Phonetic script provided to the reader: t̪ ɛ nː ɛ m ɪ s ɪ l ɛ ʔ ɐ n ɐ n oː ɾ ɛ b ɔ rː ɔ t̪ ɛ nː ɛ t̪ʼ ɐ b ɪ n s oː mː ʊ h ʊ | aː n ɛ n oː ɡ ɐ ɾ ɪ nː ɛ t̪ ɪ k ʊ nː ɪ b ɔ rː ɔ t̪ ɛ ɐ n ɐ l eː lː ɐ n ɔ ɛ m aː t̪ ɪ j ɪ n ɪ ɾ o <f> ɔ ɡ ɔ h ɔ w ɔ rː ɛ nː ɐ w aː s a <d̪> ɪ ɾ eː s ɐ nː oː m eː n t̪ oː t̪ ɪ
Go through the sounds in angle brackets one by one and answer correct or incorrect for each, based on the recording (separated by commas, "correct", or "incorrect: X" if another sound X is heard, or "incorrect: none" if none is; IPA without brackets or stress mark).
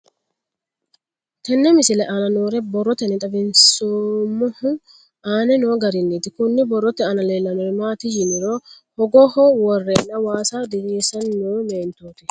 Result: incorrect: h, correct